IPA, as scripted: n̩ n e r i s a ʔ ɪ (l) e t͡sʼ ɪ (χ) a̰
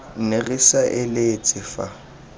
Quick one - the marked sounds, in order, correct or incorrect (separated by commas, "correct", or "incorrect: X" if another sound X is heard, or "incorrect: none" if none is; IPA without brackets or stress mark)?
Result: correct, incorrect: f